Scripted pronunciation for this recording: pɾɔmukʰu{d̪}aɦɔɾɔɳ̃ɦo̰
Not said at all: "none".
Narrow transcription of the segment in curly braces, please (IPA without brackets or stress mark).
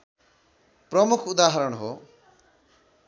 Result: d̪